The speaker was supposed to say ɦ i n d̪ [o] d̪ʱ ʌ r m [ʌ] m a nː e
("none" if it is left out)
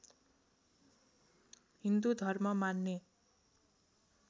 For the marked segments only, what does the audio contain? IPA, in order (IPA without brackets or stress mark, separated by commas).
u, ʌ